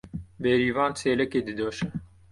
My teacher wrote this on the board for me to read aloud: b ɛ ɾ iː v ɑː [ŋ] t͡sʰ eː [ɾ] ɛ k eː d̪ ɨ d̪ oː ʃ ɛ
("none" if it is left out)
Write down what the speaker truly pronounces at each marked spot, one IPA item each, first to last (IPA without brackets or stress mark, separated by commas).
n, l